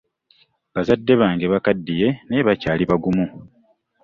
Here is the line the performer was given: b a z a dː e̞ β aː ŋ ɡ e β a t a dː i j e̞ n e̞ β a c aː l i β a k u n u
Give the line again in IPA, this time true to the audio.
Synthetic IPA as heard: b a z a dː e̞ β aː ŋ ɡ e β a k a dː i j e̞ n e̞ β a c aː l i β a ɡ u m u